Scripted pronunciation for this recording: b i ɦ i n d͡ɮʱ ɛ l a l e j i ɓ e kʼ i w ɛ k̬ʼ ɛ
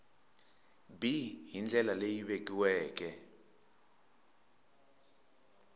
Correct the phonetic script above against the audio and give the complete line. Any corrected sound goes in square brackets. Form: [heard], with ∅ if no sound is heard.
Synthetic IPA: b i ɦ i n d͡ɮʱ ɛ l a l e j i ɓ e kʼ i w [ɛː] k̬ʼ ɛ